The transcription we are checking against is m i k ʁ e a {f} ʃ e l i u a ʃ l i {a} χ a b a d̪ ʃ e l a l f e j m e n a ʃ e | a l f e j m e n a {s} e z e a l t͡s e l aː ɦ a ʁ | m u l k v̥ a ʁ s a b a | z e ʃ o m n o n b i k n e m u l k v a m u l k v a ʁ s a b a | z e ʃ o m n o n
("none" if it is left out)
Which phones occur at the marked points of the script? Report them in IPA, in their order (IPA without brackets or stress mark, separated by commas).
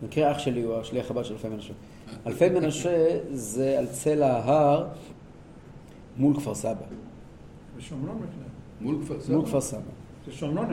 χ, a, ʃ